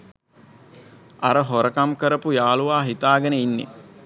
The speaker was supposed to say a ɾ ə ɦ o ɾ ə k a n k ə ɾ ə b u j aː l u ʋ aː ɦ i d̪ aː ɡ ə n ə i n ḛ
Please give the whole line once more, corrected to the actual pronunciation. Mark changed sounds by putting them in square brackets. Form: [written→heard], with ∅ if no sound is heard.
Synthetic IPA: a ɾ ə ɦ o ɾ ə k a [n→m] k ə ɾ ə [b→p] u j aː l u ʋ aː ɦ i [d̪→t̪] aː ɡ ə n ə i [n→nː] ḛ